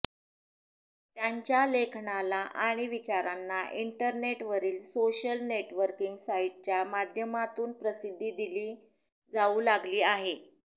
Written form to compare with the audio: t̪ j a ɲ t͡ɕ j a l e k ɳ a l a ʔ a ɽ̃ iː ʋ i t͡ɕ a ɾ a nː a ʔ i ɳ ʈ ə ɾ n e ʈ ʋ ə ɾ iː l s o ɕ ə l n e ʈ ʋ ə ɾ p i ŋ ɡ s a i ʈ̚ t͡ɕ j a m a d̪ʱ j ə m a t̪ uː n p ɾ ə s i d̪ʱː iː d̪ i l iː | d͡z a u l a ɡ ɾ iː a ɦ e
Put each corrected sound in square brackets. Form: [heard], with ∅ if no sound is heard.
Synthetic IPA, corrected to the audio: t̪ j a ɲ t͡ɕ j a l e [kʰ] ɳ a l a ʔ a ɽ̃ [i] ʋ i t͡ɕ a ɾ a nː a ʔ i ɳ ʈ ə ɾ n e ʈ ʋ ə ɾ iː l s o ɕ ə l n e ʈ ʋ ə ɾ [k] i ŋ ɡ s a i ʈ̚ t͡ɕ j a m a d̪ʱ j ə m a t̪ uː n p ɾ ə s i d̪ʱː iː d̪ i l iː | d͡z a u l a ɡ [l] iː a ɦ e